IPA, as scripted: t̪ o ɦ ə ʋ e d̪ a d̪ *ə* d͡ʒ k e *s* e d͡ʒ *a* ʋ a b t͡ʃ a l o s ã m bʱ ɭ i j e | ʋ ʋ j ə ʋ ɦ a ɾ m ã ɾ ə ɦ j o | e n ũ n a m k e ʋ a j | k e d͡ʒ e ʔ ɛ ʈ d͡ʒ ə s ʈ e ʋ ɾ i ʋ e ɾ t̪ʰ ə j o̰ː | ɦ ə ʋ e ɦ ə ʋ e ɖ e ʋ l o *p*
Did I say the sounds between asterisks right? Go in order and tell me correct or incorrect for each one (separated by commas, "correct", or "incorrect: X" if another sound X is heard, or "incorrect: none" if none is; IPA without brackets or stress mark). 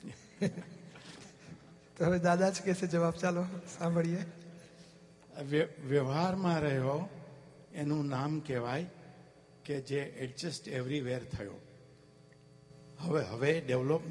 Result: incorrect: a, correct, incorrect: ə, correct